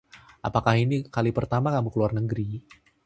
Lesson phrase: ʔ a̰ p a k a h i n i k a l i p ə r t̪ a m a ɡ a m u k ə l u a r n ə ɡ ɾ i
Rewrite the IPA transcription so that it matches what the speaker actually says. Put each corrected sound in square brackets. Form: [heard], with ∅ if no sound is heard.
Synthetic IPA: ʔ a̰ p a k a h i n i k a l i p ə r t̪ a m a [k] a m u k ə l u a r n ə ɡ ɾ i